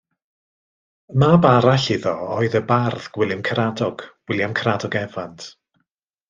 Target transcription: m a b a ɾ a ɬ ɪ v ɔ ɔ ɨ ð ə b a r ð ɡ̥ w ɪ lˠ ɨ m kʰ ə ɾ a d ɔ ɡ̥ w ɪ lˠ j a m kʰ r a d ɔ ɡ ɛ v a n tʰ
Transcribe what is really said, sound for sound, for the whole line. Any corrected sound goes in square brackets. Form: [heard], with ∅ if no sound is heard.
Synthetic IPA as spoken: m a b a ɾ a ɬ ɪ [ð] ɔ ɔ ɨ ð ə b a r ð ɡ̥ w ɪ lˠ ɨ m kʰ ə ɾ a d ɔ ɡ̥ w ɪ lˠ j a m kʰ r a d ɔ ɡ ɛ v a n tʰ